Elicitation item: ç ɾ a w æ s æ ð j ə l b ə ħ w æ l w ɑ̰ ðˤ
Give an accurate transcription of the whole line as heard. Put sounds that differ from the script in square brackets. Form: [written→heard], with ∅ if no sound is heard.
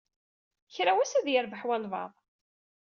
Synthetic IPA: ç ɾ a w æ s æ ð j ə [l→ɾ] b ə ħ w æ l [w→v] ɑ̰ ðˤ